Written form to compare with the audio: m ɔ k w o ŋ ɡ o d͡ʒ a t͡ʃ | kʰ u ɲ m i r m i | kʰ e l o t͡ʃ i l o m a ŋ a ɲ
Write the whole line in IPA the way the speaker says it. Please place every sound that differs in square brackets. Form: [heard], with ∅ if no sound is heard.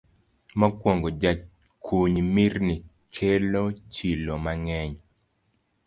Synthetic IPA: m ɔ k w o ŋ ɡ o d͡ʒ a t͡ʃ | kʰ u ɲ m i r [n] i | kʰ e l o t͡ʃ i l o m a ŋ [ɛ] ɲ

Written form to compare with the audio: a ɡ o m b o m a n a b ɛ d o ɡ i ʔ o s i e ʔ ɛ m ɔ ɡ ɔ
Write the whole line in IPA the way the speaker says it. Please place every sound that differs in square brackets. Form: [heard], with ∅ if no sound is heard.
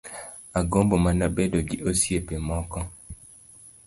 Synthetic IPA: a ɡ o m b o m a n a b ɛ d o ɡ i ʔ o s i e [p] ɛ m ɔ [k] ɔ

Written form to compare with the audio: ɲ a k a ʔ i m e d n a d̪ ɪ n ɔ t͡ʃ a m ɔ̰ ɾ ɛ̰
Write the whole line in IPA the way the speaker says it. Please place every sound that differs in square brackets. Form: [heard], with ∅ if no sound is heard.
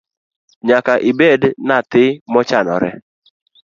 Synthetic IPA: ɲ a k a ʔ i [b] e d n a [t̪] ɪ [m] ɔ t͡ʃ a [n] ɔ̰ ɾ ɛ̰

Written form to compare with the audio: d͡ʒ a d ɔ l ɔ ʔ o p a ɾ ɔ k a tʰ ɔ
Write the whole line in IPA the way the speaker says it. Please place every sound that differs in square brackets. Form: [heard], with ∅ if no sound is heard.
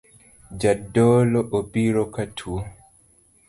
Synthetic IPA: d͡ʒ a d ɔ l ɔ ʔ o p [i] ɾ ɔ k a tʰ [u]

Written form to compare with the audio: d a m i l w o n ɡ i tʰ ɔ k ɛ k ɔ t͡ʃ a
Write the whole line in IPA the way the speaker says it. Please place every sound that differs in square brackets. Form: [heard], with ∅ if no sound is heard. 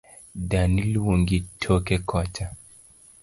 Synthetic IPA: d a [n] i l w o [ŋ] ɡ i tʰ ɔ k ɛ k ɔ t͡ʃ a

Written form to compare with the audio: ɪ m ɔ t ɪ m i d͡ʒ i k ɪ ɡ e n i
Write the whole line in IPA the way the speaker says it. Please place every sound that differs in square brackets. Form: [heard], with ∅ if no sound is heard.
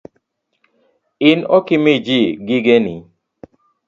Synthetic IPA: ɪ [n] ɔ [k] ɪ m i d͡ʒ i [ɡ] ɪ ɡ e n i

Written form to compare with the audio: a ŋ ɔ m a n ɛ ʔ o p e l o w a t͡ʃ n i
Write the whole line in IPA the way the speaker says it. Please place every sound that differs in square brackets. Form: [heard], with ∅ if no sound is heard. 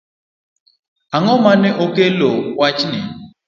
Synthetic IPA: a ŋ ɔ m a n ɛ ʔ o [k] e l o w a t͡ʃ n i

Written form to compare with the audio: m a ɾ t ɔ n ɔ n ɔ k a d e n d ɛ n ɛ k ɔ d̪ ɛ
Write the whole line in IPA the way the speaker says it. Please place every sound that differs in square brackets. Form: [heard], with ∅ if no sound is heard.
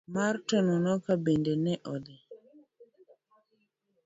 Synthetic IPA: m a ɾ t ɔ n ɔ n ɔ k a [b] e n d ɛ n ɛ [ʔ] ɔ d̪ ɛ

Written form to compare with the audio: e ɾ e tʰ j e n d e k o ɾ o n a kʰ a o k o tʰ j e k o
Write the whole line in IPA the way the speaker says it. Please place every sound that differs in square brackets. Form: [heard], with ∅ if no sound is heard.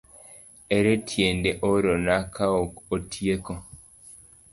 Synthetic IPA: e ɾ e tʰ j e n d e [ʔ] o ɾ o n a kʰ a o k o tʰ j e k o

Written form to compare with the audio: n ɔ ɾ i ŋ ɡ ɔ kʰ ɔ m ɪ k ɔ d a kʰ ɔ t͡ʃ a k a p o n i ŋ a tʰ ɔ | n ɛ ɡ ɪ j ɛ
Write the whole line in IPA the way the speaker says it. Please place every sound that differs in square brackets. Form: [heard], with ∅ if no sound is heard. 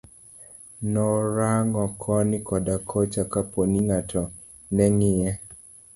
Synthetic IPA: n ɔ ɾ [a] ŋ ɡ ɔ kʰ ɔ [n] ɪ k ɔ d a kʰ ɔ t͡ʃ a k a p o n i ŋ a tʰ ɔ | n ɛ [ŋ] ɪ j ɛ

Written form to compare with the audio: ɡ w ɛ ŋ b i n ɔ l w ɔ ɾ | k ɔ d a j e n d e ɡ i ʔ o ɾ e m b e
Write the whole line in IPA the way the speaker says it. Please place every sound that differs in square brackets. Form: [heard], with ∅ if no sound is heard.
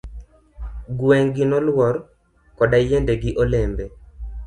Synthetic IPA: ɡ w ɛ ŋ [ɡ] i n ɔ l w ɔ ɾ | k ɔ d a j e n d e ɡ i ʔ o [l] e m b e

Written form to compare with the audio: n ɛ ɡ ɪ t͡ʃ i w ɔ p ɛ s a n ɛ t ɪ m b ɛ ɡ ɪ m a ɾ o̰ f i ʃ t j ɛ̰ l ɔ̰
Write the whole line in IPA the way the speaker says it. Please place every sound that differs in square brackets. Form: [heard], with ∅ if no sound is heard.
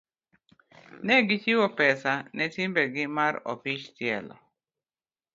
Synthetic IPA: n ɛ ɡ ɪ t͡ʃ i w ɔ p ɛ s a n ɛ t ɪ m b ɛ ɡ ɪ m a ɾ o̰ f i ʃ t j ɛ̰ l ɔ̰

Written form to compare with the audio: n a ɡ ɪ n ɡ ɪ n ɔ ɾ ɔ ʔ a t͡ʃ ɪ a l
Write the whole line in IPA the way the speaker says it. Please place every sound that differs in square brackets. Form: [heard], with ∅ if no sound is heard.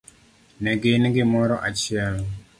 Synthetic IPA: n [ɛ] ɡ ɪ n ɡ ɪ [m] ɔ ɾ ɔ ʔ a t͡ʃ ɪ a l

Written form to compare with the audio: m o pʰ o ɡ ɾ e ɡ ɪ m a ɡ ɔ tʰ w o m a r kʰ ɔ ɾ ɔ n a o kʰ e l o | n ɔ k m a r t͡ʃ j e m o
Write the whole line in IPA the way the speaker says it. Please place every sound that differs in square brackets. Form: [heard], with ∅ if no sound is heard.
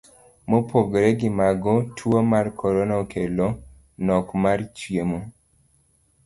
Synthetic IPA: m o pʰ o ɡ ɾ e ɡ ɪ m a ɡ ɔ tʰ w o m a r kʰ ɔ ɾ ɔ n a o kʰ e l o | n ɔ k m a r t͡ʃ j e m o

